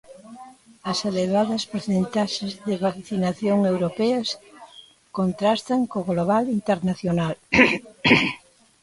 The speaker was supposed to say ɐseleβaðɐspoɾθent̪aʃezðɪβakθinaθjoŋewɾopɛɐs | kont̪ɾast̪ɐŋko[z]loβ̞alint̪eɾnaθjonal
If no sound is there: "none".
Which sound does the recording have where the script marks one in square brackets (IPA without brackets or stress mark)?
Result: ɣ